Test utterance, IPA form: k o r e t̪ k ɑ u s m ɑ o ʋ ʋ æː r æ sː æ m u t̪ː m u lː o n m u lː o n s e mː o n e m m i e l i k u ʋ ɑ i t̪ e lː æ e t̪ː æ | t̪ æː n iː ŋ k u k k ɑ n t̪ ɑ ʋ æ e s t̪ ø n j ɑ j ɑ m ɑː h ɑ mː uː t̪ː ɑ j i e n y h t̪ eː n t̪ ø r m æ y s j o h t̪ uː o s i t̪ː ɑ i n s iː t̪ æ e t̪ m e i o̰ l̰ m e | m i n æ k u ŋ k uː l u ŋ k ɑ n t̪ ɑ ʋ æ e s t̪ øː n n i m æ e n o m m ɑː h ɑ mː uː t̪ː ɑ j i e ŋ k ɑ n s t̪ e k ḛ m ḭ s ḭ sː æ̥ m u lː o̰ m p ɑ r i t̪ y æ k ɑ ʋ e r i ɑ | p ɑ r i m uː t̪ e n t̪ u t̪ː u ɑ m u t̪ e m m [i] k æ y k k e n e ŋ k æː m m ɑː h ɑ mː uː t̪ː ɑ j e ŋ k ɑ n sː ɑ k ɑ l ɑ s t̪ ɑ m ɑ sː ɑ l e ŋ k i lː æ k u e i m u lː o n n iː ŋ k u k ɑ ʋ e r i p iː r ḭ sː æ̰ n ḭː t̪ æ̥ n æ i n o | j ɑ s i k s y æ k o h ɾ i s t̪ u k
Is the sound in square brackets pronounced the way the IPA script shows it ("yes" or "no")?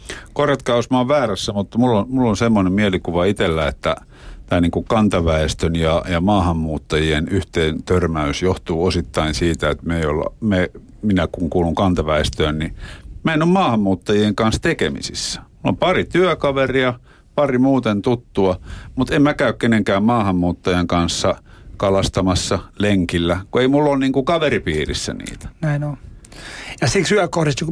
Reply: no